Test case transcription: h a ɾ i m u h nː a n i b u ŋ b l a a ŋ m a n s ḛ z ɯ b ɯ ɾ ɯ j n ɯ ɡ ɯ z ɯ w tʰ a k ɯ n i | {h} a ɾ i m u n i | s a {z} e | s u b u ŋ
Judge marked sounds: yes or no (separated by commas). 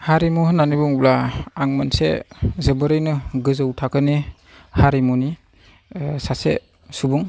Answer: yes, no